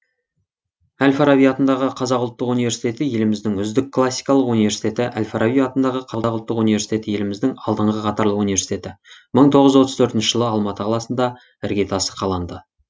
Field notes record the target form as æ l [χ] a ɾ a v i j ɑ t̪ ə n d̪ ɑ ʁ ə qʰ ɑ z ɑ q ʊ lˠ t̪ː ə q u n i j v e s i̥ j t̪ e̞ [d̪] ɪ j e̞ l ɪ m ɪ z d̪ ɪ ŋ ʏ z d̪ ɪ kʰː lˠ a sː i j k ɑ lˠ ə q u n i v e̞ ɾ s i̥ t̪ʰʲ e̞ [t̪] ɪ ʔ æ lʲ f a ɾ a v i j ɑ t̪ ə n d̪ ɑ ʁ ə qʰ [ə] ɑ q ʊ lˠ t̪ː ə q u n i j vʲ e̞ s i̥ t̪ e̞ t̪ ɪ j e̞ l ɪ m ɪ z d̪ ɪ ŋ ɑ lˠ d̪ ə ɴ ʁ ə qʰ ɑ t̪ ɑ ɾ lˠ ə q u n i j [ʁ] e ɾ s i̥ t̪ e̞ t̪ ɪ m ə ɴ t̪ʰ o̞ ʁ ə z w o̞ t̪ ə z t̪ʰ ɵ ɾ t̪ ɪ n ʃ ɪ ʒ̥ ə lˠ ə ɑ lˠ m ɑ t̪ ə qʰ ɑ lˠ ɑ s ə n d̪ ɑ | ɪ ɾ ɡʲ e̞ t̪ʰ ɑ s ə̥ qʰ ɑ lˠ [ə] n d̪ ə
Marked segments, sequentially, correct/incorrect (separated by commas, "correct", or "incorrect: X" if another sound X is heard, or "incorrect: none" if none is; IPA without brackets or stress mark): incorrect: f, incorrect: t̪, correct, incorrect: ɑ, incorrect: v, incorrect: ɑ